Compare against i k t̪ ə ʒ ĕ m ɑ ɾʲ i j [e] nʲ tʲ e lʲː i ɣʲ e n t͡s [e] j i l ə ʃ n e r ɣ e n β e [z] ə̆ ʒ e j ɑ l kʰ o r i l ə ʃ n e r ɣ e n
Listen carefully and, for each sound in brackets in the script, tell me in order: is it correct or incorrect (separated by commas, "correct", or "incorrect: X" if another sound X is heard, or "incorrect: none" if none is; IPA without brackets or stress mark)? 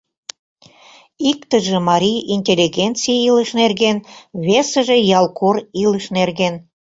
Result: incorrect: i, incorrect: i, incorrect: s